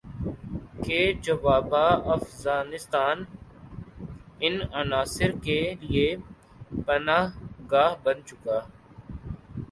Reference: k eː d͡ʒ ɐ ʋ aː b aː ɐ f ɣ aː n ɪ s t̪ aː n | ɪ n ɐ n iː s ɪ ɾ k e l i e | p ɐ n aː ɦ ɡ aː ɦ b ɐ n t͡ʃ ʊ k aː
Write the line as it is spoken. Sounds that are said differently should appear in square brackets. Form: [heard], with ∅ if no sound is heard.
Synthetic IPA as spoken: k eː d͡ʒ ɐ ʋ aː b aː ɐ f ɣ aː n ɪ s t̪ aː n | ɪ n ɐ n [aː] s ɪ ɾ k e l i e | p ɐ n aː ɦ ɡ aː ɦ b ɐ n t͡ʃ ʊ k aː